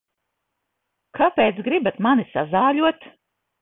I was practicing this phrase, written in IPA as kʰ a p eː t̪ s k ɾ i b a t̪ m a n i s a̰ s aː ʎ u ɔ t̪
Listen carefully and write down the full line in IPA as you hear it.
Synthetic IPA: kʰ a p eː t̪ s ɡ ɾ i b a t̪ m a n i s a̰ z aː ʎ u ɔ t̪